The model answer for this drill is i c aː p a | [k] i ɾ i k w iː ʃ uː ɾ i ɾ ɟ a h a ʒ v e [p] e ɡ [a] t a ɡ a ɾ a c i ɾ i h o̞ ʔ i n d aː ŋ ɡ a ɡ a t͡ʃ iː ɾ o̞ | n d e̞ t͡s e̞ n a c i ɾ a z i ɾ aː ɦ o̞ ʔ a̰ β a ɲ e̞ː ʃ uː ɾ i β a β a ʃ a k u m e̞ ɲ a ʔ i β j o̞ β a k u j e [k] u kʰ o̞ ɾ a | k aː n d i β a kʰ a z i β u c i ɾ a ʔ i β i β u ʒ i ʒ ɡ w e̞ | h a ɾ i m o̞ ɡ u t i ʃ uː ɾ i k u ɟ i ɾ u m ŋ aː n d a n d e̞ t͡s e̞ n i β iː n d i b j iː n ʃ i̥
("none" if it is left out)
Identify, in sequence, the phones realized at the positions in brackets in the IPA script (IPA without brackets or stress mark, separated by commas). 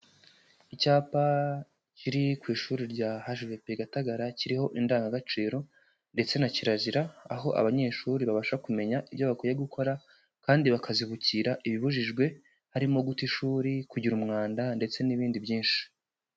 c, p, a, ɡ